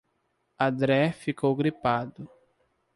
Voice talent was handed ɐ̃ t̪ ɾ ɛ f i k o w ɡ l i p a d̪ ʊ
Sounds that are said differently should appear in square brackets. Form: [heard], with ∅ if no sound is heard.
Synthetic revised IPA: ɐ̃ [d̪] ɾ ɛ f i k o w ɡ [ɾ] i p a d̪ ʊ